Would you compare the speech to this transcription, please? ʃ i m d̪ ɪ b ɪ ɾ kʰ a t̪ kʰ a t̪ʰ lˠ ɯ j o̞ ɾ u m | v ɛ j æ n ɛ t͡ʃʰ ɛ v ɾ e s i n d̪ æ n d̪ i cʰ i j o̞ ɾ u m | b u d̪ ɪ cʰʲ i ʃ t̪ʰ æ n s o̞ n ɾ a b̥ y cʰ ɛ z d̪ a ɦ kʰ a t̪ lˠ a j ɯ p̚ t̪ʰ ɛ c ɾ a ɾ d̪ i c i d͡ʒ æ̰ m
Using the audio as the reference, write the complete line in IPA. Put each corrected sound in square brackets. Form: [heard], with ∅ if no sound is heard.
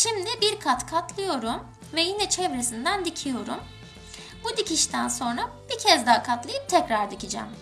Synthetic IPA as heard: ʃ i m d̪ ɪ b [i] ɾ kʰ a t̪ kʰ a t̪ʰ lˠ ɯ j o̞ ɾ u m | v ɛ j [i] n ɛ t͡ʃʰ ɛ v ɾ e s i n d̪ æ n d̪ i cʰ i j o̞ ɾ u m | b u d̪ [i] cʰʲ i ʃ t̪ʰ æ n s o̞ n ɾ a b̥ [i] cʰ ɛ z d̪ a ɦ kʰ a t̪ lˠ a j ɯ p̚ t̪ʰ ɛ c ɾ a ɾ d̪ i c i d͡ʒ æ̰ m

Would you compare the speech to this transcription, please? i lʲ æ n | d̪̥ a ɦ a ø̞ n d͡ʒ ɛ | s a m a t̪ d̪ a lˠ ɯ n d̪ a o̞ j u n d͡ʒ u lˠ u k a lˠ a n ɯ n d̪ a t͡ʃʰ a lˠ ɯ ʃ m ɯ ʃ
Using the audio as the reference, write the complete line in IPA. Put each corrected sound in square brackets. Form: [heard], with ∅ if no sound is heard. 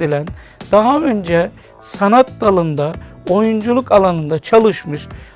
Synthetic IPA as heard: i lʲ æ n | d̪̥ a ɦ a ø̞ n d͡ʒ ɛ | s a [n] a t̪ d̪ a lˠ ɯ n d̪ a o̞ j u n d͡ʒ u lˠ u k a lˠ a n ɯ n d̪ a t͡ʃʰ a lˠ ɯ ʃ m ɯ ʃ

